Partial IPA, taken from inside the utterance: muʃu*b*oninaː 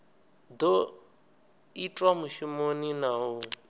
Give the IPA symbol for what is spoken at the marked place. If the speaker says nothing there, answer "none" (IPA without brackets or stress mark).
m